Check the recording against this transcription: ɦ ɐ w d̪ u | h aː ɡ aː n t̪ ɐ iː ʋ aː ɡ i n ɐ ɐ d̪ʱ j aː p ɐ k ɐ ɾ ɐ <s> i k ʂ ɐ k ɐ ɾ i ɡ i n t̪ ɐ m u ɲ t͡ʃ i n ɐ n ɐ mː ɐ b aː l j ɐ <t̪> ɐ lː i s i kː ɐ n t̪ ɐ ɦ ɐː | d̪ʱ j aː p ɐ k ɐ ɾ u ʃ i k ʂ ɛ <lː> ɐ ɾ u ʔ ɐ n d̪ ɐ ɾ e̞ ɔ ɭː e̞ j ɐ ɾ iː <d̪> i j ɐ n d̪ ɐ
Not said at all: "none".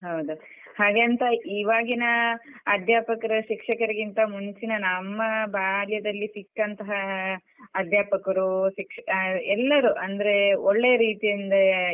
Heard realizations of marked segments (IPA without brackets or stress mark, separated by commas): ʃ, d̪, lː, t̪